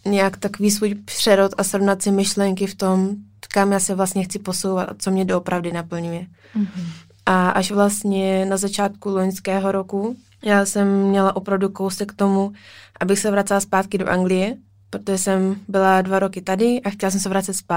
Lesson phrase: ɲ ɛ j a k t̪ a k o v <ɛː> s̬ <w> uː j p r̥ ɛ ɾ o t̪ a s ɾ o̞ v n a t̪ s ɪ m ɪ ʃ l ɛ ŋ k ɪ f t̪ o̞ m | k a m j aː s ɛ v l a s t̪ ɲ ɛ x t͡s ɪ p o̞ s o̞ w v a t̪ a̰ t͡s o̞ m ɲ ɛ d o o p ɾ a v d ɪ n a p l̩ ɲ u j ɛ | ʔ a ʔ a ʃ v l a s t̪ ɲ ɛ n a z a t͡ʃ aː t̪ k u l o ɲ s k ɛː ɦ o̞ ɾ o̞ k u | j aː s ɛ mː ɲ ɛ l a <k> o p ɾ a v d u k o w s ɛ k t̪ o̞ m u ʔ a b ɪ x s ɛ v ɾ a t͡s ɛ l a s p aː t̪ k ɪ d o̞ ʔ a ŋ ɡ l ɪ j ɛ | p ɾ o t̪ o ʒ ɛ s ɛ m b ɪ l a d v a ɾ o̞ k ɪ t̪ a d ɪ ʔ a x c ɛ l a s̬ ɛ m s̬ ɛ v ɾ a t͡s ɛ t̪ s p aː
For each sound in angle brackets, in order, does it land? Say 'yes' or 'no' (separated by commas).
no, no, no